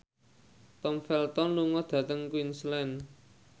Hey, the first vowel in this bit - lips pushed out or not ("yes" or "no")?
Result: yes